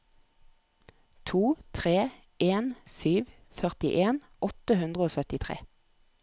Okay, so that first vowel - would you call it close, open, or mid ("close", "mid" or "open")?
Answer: close